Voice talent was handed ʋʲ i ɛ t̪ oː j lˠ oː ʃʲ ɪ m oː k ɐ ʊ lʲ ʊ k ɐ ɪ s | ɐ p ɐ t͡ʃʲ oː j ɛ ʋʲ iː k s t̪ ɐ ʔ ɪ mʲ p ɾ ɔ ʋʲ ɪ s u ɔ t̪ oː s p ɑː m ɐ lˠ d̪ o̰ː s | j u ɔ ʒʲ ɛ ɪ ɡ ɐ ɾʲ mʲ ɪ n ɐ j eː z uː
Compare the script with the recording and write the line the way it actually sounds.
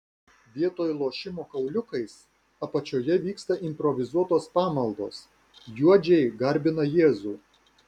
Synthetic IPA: ʋʲ i ɛ t̪ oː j lˠ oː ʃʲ ɪ m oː k ɐ ʊ lʲ ʊ k ɐ ɪ s | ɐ p ɐ t͡ʃʲ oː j ɛ ʋʲ iː k s t̪ ɐ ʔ ɪ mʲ p ɾ ɔ ʋʲ ɪ z u ɔ t̪ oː s p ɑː m ɐ lˠ d̪ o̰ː s | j u ɔ d͡ʒʲ ɛ ɪ ɡ ɐ ɾʲ bʲ ɪ n ɐ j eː z uː